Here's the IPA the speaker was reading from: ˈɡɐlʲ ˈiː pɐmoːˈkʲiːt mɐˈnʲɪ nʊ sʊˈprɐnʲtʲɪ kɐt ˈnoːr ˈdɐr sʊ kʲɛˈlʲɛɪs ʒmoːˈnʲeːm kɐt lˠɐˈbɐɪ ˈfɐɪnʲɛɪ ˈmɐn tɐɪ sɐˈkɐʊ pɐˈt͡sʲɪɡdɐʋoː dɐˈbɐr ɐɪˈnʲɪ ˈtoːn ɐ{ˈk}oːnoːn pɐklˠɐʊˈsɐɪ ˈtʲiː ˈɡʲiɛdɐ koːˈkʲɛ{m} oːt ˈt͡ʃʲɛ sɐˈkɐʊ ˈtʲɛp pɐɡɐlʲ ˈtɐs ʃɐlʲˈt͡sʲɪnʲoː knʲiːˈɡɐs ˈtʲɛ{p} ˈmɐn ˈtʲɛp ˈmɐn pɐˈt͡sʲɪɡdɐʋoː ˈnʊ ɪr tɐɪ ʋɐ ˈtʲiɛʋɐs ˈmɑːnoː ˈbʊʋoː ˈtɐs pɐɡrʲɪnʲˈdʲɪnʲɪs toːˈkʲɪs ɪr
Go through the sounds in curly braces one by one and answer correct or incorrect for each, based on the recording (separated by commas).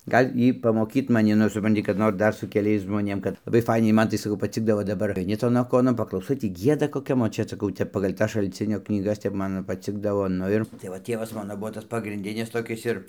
correct, correct, correct